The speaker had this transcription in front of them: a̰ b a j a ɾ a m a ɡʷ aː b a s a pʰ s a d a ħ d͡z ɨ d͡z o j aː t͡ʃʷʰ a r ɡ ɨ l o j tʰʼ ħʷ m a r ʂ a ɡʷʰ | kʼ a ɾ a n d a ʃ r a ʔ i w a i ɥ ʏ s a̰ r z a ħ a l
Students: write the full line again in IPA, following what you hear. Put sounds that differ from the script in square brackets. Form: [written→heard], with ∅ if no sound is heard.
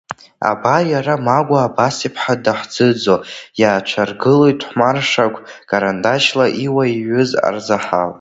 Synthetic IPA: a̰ b a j a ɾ a m a ɡʷ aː b a s [a→i] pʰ [s→ħ] a d a ħ d͡z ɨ d͡z o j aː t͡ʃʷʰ a r ɡ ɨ l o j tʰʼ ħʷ m a r ʂ a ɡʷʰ | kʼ a ɾ a n d a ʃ [r→l] a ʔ i w a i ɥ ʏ [s→z] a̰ r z a ħ a l